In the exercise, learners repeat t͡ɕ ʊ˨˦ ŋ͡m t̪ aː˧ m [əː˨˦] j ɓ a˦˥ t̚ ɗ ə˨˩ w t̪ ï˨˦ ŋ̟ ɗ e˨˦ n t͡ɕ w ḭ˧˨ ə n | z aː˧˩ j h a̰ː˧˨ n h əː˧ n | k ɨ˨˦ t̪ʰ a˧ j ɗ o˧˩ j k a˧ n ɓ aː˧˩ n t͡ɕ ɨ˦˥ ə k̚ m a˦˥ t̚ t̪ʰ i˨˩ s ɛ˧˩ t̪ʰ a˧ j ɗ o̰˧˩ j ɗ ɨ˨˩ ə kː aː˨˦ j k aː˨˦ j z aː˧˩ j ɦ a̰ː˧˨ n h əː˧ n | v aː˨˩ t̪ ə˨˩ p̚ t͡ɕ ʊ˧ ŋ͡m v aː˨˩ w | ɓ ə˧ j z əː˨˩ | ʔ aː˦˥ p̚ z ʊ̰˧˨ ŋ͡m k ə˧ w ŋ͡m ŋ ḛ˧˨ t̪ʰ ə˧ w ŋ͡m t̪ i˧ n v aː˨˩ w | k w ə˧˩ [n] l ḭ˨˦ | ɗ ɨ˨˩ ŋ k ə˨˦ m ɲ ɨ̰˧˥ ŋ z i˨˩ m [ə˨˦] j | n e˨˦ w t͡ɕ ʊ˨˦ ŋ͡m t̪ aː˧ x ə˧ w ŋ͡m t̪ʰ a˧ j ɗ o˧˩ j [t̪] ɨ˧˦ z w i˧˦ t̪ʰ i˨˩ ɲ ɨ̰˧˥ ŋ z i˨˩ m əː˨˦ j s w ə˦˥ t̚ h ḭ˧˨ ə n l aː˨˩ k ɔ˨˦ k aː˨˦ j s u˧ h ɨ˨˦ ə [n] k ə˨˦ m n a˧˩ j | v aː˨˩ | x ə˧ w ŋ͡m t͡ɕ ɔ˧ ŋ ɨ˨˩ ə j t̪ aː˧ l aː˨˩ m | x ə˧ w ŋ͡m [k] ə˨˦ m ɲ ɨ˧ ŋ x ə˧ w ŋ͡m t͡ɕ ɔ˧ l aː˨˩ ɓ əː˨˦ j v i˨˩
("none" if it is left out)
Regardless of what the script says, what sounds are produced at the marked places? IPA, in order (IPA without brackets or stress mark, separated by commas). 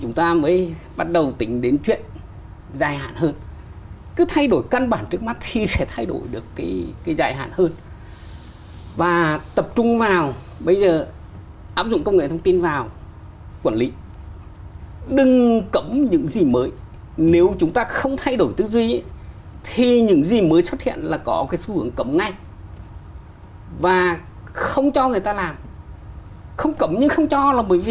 əː˨˦, n, əː˨˦, t̪, ŋ, k